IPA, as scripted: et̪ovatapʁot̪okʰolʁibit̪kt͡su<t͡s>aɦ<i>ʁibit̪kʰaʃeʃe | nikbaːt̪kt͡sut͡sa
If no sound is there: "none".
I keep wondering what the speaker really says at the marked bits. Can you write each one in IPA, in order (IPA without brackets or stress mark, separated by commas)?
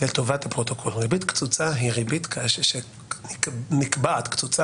t͡s, i